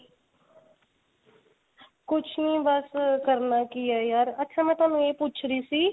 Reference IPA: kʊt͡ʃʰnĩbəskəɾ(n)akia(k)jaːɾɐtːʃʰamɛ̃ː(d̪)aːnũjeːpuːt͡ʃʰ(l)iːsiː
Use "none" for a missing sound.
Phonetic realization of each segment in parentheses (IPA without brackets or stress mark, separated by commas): n, none, t̪, ɾ